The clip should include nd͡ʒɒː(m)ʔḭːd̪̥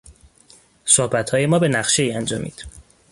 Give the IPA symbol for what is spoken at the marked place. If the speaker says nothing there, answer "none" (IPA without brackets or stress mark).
m